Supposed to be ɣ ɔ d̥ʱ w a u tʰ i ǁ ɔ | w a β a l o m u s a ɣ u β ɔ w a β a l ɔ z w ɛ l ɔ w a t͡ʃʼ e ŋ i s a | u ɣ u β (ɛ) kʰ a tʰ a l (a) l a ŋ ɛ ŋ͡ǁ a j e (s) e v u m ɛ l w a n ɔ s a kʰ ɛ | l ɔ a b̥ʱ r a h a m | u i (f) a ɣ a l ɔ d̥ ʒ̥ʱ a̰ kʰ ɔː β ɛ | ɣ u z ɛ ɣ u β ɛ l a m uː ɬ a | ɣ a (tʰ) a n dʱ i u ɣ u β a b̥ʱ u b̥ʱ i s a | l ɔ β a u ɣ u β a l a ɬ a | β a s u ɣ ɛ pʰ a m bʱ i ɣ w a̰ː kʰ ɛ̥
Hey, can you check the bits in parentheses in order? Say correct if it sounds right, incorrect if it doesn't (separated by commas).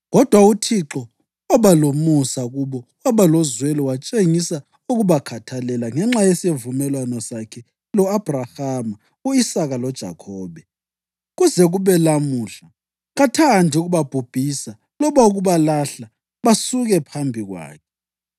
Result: incorrect, incorrect, correct, incorrect, correct